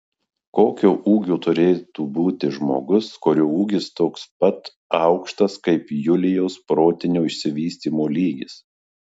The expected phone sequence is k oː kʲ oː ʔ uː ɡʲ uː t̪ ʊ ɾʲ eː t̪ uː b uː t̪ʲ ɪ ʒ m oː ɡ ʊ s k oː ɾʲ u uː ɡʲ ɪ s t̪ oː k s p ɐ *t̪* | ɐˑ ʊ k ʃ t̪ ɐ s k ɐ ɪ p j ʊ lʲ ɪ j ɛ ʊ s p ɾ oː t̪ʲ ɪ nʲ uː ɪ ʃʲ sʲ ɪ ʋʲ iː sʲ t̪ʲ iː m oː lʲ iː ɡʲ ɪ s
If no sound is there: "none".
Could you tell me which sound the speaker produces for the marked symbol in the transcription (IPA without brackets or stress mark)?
t̪